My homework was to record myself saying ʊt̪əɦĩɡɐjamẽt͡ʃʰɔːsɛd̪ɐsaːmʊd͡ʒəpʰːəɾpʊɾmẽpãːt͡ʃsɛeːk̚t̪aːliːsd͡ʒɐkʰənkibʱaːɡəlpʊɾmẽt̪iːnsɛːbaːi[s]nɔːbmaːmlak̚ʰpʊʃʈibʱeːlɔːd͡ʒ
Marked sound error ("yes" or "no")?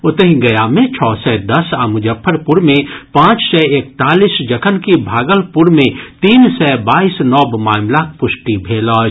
no